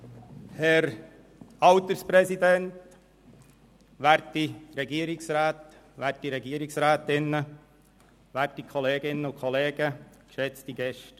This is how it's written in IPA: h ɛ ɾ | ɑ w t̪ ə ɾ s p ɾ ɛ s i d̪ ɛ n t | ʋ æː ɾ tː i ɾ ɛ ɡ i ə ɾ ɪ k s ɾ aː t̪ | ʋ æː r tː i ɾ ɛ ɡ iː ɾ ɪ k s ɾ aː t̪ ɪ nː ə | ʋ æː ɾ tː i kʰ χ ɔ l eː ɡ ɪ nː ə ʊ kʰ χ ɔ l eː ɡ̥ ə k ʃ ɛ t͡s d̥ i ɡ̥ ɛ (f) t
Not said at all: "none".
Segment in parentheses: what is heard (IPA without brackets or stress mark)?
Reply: ʃ